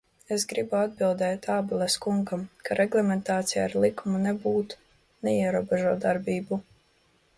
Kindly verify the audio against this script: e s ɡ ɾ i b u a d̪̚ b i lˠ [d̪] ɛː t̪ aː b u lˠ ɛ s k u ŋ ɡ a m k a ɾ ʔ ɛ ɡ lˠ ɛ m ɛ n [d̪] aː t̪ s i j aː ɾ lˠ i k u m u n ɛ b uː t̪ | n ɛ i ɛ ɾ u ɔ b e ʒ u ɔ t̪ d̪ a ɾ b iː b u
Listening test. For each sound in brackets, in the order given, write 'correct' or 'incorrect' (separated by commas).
correct, incorrect